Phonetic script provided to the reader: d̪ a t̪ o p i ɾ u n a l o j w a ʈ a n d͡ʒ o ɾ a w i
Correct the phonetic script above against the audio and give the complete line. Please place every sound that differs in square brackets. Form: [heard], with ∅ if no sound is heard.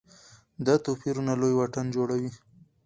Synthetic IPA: d̪ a t̪ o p i ɾ u n a l o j w a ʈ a n d͡ʒ o [ɽ] a w i